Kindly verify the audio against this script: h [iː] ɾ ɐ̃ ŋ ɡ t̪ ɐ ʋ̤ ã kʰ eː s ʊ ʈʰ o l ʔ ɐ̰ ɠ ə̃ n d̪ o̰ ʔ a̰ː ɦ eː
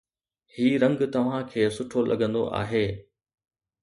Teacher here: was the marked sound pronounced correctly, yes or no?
yes